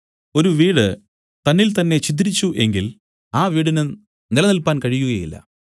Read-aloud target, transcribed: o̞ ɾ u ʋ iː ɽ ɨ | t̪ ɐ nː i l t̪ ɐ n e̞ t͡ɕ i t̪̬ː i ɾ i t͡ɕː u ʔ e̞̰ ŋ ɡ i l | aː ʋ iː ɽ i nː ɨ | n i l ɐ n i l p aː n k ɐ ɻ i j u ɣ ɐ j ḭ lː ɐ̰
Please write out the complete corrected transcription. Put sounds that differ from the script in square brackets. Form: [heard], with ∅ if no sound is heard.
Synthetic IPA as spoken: o̞ ɾ u ʋ iː ɽ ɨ | t̪ ɐ nː i l t̪ ɐ [nː] e̞ t͡ɕ i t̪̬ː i ɾ i t͡ɕː u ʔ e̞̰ ŋ ɡ i l | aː ʋ iː ɽ i [n] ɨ | n i l ɐ n i l p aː n k ɐ ɻ i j u ɣ ɐ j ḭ lː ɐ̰